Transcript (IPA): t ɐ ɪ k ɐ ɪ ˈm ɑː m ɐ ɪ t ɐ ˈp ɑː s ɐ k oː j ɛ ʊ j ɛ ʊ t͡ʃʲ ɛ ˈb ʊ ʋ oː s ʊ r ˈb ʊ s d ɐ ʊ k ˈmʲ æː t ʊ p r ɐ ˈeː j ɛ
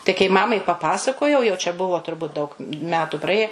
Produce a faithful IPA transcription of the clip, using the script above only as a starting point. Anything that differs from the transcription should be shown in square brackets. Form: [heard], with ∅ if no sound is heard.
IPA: t ɐ ɪ k ɐ ɪ ˈm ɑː m ɐ ɪ [p] ɐ ˈp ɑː s ɐ k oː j ɛ ʊ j ɛ ʊ t͡ʃʲ ɛ ˈb ʊ ʋ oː [t] ʊ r ˈb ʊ [t] d ɐ ʊ k ˈmʲ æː t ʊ p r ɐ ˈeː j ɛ